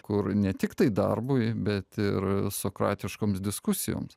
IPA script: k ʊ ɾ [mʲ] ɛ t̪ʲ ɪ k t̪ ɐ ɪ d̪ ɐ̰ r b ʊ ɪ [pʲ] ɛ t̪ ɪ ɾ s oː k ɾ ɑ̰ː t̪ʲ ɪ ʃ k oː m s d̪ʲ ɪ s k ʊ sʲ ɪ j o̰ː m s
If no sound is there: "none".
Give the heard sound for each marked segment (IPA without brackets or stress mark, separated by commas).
nʲ, bʲ